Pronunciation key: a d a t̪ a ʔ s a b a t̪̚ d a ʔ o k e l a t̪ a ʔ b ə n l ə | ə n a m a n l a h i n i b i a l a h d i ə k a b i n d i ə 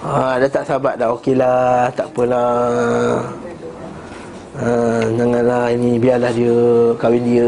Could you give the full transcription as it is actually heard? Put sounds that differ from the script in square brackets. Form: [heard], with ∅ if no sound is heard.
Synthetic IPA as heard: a d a t̪ a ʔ s a b a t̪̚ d a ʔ o k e l a t̪ a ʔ [p] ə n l [a] | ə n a [ŋ] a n l a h i n i b i a l a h d i ə k a [w] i n d i ə